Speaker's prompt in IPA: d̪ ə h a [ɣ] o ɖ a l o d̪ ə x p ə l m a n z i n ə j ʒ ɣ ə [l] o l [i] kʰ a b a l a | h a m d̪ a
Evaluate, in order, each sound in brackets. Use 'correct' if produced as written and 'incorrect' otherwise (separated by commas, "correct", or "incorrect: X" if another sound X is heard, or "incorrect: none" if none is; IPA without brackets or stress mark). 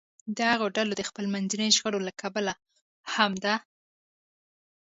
correct, incorrect: ɽ, incorrect: a